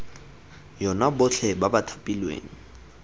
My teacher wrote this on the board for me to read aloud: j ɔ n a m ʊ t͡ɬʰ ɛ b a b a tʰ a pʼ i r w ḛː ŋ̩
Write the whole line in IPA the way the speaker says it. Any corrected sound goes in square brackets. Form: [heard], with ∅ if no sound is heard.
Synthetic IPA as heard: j ɔ n a [b] ʊ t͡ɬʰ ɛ b a b a tʰ a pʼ i [l] w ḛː ŋ̩

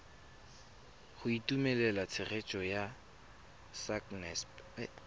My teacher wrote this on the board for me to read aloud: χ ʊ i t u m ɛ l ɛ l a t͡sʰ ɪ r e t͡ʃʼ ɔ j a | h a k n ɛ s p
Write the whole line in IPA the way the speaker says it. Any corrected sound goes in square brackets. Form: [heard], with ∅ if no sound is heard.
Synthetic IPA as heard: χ ʊ i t u m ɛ l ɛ l a t͡sʰ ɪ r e t͡ʃʼ ɔ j a | [s] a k n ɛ s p

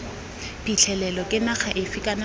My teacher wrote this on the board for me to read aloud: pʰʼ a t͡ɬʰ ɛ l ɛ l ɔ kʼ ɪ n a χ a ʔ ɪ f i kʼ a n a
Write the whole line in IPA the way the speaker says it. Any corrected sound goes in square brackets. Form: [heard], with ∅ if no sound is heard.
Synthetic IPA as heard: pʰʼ [i] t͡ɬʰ ɛ l ɛ l ɔ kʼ ɪ n a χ a ʔ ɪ f i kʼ a n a

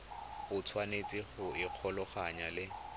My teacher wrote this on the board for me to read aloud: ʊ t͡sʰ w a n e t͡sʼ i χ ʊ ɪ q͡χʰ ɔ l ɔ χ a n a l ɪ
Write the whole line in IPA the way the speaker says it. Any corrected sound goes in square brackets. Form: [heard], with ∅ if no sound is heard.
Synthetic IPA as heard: ʊ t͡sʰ w a n e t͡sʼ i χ ʊ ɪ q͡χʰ ɔ l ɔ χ a [ɲ] a l ɪ

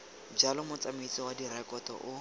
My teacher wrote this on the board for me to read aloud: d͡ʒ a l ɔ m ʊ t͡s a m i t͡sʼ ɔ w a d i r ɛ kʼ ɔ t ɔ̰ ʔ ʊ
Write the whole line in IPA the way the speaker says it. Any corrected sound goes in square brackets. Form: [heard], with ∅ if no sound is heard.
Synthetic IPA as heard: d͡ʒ a l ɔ m ʊ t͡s a m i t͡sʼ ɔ w a d i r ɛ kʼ ɔ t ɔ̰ ʔ ʊ

